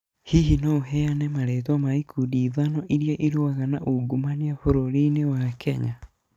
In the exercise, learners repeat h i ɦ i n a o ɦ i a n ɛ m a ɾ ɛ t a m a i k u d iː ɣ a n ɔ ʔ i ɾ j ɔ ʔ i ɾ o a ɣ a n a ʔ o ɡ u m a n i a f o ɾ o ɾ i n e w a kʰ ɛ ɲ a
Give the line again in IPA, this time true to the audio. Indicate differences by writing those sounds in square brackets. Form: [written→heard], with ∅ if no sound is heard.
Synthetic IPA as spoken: h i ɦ i n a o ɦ [i→ɛ] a n ɛ m a ɾ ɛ t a m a i k u d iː [ɣ→ð] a n ɔ ʔ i ɾ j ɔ ʔ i ɾ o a ɣ a n a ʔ o ɡ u m a n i a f o ɾ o ɾ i n e w a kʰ ɛ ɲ a